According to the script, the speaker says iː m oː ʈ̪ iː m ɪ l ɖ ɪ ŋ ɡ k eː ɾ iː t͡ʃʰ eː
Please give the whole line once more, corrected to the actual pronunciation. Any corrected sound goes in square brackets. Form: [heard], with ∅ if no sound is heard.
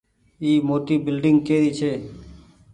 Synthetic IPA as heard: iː m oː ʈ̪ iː [b] ɪ l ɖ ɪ ŋ ɡ k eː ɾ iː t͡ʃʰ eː